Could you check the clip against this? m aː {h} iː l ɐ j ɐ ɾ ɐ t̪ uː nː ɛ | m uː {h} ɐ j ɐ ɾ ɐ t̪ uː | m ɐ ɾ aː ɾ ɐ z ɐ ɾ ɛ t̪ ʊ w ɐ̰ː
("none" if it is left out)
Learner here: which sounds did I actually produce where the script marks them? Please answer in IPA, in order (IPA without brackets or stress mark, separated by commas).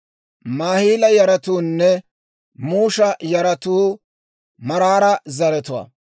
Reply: h, ʃ